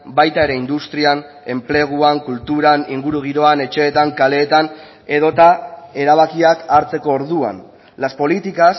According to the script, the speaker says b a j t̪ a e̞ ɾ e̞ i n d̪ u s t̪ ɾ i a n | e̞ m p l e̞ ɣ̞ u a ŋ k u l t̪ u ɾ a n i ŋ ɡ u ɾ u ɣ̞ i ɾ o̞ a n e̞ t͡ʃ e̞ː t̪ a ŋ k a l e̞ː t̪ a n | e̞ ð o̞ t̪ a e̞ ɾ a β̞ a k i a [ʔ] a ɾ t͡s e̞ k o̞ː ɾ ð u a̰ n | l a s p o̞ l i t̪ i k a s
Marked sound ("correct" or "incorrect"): incorrect